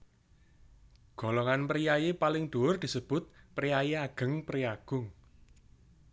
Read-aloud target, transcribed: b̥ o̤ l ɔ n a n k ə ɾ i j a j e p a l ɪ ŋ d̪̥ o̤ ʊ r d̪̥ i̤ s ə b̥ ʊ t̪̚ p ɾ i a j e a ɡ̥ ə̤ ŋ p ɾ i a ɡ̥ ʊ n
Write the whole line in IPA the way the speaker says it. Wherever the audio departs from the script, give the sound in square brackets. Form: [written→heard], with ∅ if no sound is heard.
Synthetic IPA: [b̥→ɡ̥] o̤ l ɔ [n→ŋ] a n [k→p] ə ɾ i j a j e p a l ɪ ŋ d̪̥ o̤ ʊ r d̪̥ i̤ s ə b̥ ʊ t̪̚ p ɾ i a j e a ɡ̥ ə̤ ŋ p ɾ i a ɡ̥ ʊ [n→ŋ]